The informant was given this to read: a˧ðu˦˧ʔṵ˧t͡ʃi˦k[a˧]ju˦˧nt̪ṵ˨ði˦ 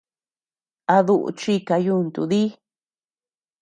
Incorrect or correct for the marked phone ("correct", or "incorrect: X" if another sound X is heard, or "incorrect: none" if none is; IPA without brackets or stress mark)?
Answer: correct